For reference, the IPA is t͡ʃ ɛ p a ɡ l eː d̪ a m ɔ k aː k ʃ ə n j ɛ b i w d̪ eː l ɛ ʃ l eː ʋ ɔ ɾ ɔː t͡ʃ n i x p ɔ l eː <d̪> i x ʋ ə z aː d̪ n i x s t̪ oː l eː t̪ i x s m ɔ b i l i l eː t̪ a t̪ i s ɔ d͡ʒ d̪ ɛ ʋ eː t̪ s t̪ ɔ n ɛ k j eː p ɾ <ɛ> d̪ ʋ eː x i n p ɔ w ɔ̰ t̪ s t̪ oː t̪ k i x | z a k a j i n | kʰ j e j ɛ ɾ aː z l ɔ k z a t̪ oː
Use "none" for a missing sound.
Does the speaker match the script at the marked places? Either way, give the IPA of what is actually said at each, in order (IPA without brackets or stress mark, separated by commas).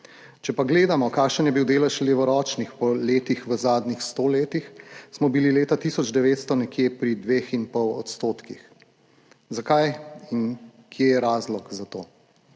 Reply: t̪, i